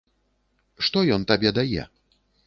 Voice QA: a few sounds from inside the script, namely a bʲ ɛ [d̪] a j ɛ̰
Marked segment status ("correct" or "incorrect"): correct